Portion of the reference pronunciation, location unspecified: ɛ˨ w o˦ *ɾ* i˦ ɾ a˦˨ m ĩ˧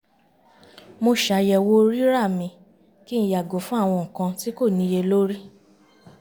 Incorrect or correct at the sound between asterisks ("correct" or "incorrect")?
correct